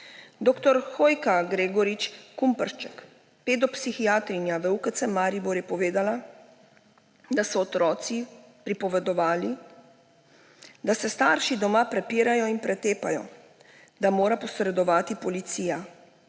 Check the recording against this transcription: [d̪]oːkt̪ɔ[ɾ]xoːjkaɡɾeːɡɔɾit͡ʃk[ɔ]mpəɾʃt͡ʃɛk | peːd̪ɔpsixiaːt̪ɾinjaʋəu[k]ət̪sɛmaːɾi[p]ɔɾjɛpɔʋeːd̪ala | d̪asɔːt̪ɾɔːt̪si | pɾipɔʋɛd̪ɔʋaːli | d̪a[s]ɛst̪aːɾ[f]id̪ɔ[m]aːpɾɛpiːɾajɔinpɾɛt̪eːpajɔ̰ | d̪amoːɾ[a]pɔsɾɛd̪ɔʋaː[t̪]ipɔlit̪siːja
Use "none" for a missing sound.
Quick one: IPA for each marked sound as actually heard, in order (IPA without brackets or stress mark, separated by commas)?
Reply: d̪, ɾ, u, k, b, s, ʃ, m, a, t̪